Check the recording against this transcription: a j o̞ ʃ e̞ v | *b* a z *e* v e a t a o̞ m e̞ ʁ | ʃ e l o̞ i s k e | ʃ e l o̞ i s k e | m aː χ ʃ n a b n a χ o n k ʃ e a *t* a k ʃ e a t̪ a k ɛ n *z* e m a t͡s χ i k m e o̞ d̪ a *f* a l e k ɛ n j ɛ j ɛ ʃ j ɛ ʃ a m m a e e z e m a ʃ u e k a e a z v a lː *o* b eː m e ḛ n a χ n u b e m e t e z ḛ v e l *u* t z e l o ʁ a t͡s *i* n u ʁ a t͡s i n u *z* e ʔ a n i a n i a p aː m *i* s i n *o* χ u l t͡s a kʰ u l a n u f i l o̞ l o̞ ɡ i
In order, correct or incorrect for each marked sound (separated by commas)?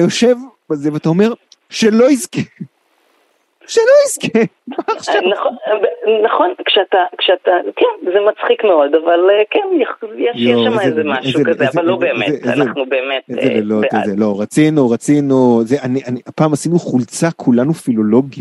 correct, correct, correct, correct, incorrect, correct, incorrect, correct, correct, incorrect, incorrect